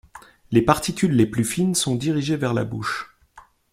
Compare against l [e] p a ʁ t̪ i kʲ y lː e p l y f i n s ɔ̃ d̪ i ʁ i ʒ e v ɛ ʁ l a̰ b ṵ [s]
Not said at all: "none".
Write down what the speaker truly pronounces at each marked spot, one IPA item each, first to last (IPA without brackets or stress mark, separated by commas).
e, ʃ